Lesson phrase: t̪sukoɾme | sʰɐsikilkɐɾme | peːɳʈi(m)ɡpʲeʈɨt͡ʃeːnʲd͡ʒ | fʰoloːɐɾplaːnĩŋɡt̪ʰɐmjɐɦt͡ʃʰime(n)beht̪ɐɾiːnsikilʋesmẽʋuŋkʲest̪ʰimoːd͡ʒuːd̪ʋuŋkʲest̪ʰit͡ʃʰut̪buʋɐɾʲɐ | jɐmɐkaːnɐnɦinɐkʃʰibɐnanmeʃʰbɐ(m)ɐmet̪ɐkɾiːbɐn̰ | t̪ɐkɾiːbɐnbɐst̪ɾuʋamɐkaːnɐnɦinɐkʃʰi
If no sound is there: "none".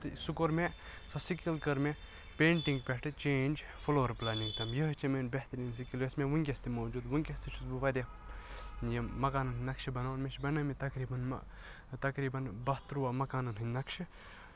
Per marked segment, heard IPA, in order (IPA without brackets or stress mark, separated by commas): ŋ, n, n